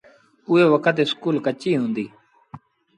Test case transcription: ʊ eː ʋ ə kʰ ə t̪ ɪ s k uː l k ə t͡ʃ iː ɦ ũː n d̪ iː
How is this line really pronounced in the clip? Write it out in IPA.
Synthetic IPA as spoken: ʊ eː ʋ ə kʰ ə t̪ ɪ s k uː l k ə t͡ʃ iː ɦ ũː n d̪ iː

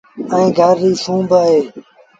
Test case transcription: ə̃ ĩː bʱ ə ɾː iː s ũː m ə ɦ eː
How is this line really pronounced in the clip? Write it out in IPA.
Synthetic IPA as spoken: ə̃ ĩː ɡʱ ə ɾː iː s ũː b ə ɦ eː

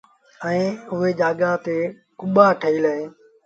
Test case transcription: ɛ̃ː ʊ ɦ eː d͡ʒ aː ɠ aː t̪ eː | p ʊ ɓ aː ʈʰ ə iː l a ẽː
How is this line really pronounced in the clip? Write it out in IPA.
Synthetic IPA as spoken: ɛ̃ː ʊ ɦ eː d͡ʒ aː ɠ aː t̪ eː | k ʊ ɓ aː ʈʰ ə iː l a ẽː

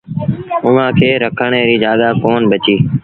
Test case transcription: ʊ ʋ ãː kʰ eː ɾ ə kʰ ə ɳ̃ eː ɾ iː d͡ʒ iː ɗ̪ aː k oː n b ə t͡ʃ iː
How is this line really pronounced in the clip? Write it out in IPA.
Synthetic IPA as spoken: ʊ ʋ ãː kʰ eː ɾ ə kʰ ə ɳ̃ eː ɾ iː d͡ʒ aː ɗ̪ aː k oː n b ə t͡ʃ iː

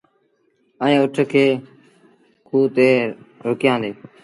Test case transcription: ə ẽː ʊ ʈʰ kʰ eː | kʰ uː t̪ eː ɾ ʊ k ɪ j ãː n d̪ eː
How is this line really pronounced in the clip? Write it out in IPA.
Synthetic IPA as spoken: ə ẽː ʊ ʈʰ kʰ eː | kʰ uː t̪ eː ɾ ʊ k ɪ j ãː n d̪ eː

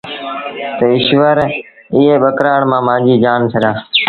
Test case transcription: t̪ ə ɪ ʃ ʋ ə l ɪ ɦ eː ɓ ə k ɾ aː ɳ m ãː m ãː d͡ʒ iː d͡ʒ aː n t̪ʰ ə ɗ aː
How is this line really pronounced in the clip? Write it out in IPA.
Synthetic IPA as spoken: t̪ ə ɪ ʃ ʋ ə ɾ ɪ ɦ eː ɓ ə k ɾ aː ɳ m ãː m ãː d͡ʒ iː d͡ʒ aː n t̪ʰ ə ɗ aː

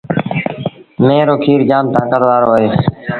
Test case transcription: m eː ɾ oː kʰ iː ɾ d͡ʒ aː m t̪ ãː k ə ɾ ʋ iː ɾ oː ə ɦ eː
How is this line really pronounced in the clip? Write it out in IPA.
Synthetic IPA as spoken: m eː ɾ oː kʰ iː ɾ d͡ʒ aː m t̪ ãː k ə ɾ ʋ aː ɾ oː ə ɦ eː

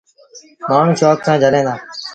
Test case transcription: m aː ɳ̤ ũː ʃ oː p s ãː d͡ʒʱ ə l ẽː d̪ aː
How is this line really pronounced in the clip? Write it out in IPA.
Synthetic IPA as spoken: m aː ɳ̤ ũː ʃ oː k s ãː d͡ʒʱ ə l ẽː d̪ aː

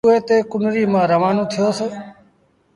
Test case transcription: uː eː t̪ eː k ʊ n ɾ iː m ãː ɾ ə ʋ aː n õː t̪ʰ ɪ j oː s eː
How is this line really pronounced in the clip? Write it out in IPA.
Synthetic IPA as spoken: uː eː t̪ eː k ʊ n ɾ iː m ãː ɾ ə ʋ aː n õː t̪ʰ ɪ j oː s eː

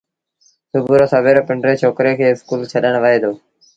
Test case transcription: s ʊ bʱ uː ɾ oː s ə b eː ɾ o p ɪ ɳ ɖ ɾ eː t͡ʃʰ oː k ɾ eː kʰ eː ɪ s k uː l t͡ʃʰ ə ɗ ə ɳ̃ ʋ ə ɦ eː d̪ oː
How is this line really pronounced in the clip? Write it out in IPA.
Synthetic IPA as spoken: s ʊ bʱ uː ɾ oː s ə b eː ɾ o p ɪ ɳ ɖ ɾ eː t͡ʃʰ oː k ɾ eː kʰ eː ɪ s k uː l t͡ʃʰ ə ɗ ə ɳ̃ ʋ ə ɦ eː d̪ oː

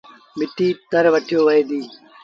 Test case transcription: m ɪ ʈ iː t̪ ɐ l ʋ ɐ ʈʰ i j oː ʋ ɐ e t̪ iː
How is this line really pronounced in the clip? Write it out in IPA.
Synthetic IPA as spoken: m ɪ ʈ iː t̪ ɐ ɾ ʋ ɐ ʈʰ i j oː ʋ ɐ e d̪ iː

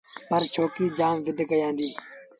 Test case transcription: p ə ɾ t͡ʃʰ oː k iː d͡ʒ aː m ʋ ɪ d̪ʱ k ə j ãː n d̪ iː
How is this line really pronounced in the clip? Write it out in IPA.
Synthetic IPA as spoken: p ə ɾ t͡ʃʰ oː k iː d͡ʒ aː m ʋ ɪ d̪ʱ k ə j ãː n d̪ iː

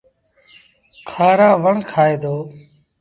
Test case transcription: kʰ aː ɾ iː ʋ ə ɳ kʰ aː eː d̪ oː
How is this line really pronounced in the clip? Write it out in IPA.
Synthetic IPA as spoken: kʰ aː ɾ aː ʋ ə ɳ kʰ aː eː d̪ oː

